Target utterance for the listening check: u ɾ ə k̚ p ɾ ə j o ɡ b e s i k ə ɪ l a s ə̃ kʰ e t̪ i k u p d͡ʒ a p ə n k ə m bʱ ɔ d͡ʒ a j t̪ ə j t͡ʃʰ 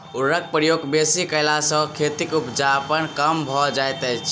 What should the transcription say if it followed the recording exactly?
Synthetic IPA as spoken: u ɾ ə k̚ p ɾ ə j o ɡ b e s i k ə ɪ l a s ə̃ kʰ e t̪ i k u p d͡ʒ a p ə n k ə m bʱ ɔ d͡ʒ a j t̪ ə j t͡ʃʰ